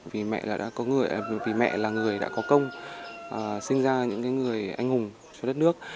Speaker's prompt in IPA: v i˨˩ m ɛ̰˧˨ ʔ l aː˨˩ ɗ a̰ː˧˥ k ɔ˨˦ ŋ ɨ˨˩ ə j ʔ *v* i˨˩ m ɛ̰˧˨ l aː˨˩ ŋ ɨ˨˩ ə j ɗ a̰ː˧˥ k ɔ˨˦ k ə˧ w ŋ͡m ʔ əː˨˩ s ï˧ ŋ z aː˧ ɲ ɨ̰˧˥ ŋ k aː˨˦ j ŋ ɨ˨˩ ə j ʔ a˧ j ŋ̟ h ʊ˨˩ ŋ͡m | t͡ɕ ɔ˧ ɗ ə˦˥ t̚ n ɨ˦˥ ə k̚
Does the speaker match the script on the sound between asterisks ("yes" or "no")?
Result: yes